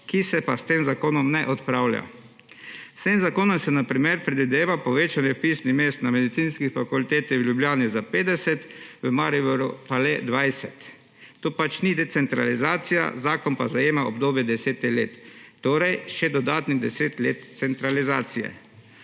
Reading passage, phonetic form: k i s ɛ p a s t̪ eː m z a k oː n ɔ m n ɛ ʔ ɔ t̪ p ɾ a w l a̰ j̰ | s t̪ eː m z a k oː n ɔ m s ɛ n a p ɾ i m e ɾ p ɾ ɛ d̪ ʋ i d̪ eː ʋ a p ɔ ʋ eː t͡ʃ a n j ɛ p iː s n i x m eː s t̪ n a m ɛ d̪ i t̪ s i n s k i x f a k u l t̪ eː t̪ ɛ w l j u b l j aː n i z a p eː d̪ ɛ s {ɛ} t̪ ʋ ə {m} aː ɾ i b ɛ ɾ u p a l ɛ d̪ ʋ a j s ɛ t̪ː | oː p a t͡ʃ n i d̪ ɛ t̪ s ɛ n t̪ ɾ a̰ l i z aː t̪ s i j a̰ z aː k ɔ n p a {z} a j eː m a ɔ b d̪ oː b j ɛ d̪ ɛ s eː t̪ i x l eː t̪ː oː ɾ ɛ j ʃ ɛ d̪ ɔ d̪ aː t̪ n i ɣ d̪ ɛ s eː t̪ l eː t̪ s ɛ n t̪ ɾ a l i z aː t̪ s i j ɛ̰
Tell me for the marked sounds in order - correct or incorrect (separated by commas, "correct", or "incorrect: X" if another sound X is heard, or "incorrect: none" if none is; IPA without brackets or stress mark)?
correct, correct, correct